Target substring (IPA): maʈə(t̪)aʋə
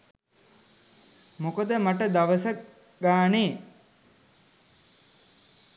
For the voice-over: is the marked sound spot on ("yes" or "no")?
no